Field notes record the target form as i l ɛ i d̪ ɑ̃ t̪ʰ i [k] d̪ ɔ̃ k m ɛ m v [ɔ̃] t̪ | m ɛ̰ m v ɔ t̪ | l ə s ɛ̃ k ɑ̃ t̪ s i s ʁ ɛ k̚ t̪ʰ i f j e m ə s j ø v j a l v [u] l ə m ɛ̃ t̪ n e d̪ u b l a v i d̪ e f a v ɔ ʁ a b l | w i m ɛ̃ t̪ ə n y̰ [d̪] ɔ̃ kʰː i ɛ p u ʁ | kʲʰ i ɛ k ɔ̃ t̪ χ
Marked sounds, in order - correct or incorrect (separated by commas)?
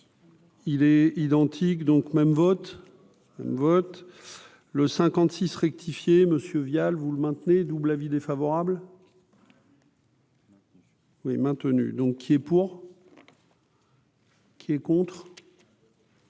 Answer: correct, incorrect, correct, correct